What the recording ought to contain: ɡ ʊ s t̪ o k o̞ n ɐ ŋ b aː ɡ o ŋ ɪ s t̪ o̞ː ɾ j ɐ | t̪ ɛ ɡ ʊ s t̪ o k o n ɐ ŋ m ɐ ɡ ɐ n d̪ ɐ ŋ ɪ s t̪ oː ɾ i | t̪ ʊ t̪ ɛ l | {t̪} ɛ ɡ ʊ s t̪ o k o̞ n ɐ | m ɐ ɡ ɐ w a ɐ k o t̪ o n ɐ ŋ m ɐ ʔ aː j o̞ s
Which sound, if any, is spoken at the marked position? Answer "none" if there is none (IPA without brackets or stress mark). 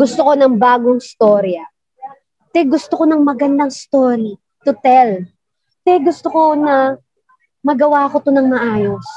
t̪